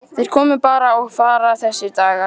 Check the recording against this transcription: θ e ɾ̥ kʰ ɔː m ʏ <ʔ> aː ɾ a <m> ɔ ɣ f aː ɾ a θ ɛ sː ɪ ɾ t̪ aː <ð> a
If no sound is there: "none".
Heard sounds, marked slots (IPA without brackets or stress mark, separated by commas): p, none, ɣ